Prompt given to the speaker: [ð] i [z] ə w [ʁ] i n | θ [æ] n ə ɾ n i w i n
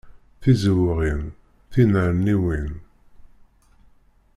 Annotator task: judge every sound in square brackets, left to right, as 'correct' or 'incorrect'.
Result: incorrect: θ, correct, correct, incorrect: i

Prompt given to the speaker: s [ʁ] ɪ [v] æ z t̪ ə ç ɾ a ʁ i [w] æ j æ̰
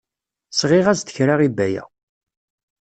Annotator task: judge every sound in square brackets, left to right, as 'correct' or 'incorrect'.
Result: correct, incorrect: ʁ, incorrect: b

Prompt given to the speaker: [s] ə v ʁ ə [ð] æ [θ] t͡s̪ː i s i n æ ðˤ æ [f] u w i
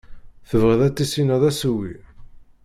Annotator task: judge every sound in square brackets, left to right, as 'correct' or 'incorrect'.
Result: incorrect: θ, correct, incorrect: none, incorrect: s

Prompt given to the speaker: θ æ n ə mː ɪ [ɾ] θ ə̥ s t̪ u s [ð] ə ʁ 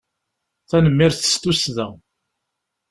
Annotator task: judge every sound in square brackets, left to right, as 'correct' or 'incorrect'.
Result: correct, correct

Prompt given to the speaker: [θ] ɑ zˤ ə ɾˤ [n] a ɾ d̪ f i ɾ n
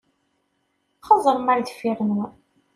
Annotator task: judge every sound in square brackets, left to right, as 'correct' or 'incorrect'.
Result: incorrect: χ, incorrect: m

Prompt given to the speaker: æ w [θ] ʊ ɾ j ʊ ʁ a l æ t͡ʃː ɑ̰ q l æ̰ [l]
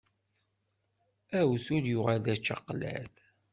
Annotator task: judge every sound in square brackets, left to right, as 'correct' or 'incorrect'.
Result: correct, correct

